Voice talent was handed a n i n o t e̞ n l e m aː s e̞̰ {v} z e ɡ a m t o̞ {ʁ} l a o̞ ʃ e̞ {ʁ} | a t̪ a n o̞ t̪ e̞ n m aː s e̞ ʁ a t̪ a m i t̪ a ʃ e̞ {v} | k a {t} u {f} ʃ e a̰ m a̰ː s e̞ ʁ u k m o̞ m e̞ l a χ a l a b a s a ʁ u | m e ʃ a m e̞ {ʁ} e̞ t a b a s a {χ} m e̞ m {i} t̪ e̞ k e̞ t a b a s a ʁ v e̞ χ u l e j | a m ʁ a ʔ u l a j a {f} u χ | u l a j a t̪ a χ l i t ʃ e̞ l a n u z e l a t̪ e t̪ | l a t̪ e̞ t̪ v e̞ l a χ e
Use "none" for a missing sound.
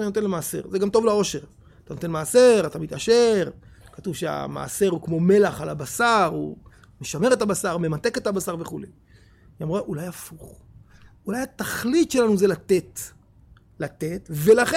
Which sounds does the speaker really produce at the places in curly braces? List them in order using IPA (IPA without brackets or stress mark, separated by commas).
ʁ, v, ʁ, ʁ, t, v, ʁ, ʁ, a, f